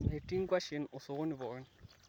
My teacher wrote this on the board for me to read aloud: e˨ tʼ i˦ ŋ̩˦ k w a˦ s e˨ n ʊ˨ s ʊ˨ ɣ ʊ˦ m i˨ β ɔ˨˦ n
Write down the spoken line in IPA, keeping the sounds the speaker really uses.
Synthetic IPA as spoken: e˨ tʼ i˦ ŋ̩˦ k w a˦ ʃ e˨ n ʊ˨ s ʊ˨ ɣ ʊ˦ n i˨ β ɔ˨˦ n